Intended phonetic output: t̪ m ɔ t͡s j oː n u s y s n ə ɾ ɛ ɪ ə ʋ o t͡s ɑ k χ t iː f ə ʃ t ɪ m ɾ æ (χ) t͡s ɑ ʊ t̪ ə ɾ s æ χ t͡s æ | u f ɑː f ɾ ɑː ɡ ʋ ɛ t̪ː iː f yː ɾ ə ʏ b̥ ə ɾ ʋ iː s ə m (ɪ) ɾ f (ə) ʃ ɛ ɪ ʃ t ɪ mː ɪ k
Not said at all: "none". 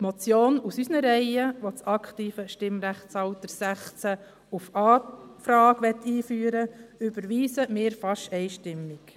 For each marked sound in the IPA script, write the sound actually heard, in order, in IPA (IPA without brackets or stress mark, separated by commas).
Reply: χ, ɪː, ɑ